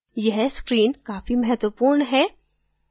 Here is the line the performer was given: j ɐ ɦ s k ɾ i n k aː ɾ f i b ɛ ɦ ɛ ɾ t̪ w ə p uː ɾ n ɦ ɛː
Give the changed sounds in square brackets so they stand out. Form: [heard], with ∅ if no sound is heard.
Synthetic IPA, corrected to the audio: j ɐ ɦ s k ɾ [iː] n k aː [∅] f i [m] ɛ ɦ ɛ [∅] t̪ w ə p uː ɾ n ɦ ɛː